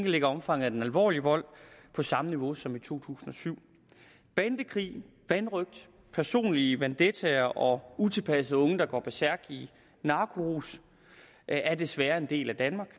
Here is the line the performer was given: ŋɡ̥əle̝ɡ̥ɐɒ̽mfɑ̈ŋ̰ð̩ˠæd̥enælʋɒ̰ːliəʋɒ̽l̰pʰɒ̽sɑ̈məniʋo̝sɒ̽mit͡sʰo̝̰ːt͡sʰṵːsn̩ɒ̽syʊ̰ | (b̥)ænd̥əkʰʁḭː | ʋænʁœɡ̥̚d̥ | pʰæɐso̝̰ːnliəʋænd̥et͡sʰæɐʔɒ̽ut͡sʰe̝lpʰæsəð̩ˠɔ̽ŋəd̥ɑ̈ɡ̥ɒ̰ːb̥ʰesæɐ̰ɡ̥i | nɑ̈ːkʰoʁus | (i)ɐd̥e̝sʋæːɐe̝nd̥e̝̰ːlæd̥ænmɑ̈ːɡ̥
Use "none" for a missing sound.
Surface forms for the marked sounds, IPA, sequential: b̥, æ

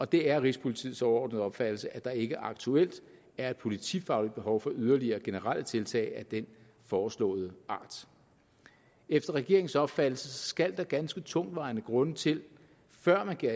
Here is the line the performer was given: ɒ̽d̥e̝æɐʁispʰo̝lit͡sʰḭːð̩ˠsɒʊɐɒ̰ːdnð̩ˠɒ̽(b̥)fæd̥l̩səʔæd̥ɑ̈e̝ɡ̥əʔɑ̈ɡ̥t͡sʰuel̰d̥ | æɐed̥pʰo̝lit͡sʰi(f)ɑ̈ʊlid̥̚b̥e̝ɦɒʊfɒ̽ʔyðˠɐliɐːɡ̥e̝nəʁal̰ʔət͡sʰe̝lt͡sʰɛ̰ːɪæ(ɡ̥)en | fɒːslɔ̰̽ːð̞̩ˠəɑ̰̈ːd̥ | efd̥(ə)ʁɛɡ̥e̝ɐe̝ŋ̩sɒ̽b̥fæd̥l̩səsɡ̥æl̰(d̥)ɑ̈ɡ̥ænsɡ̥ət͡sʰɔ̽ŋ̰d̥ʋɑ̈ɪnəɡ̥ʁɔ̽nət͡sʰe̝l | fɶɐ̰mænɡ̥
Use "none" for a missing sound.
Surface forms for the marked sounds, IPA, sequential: b̥, f, d̥, ɐ, d̥

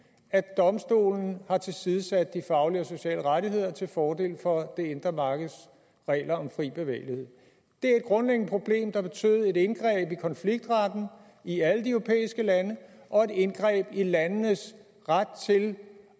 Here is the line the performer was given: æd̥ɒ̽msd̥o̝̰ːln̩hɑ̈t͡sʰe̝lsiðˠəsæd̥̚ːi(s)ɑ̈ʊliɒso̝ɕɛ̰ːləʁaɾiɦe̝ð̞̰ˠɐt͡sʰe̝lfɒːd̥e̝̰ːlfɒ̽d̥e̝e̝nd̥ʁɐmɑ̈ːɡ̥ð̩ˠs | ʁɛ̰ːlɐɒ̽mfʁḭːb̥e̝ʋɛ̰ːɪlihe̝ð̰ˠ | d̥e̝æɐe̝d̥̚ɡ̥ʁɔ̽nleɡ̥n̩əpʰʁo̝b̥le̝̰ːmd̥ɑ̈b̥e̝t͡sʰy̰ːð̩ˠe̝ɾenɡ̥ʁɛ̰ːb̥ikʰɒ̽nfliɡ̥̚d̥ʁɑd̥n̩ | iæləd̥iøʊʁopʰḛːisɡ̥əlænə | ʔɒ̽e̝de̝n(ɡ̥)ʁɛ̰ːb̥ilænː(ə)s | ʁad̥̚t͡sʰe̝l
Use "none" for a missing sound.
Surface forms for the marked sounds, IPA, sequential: f, ɡ̥, ə

